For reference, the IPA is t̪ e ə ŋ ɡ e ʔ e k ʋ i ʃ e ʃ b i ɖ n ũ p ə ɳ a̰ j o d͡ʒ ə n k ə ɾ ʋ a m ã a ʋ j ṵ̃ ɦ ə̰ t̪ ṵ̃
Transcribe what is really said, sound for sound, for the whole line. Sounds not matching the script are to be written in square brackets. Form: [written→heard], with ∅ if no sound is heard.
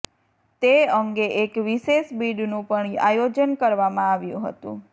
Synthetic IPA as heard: t̪ e ə ŋ ɡ e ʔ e k ʋ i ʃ e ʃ b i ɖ n ũ p ə ɳ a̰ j o d͡ʒ ə n k ə ɾ ʋ a m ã a ʋ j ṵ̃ ɦ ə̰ t̪ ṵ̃